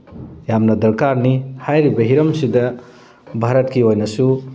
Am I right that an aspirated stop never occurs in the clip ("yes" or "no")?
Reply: yes